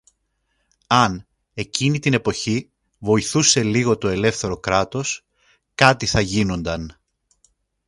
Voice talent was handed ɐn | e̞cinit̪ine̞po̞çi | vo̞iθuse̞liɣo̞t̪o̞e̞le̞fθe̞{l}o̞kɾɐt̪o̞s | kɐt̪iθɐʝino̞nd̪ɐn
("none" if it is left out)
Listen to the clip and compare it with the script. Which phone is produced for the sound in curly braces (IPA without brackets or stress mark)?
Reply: ɾ